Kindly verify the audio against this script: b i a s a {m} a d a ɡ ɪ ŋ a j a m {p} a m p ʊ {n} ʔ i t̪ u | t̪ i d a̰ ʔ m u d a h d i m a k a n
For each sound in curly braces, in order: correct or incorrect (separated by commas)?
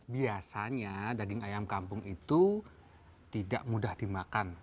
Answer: incorrect, incorrect, incorrect